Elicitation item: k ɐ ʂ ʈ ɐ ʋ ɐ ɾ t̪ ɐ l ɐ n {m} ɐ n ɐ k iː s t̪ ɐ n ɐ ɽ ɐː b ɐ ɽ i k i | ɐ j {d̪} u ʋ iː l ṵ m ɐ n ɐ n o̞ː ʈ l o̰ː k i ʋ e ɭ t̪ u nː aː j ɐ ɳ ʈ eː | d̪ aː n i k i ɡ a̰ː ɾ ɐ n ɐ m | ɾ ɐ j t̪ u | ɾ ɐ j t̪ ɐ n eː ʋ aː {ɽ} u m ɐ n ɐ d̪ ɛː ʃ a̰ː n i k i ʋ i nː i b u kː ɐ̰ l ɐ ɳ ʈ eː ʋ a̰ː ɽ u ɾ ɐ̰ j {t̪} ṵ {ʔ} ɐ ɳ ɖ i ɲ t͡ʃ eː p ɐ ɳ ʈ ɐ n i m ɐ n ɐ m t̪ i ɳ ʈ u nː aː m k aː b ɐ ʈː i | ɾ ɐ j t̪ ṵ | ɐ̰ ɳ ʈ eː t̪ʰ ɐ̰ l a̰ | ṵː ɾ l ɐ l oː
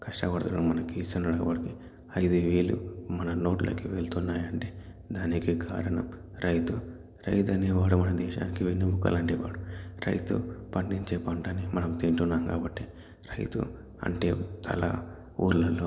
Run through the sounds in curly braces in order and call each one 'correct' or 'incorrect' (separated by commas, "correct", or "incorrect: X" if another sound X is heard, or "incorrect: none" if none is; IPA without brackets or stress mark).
correct, correct, correct, correct, incorrect: p